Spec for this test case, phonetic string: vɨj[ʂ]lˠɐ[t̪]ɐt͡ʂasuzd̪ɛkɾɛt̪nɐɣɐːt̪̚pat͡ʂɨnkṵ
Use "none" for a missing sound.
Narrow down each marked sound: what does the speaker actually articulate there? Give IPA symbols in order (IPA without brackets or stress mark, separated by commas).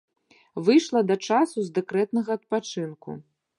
ʂ, d̪